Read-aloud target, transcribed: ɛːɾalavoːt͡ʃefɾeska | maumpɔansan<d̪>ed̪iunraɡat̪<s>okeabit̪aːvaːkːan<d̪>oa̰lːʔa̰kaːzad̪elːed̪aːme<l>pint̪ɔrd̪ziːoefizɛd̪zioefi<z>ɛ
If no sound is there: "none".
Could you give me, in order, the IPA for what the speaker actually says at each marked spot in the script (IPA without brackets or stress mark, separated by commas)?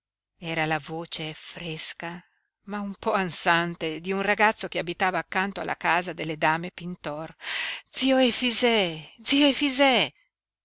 t̪, sː, t̪, none, z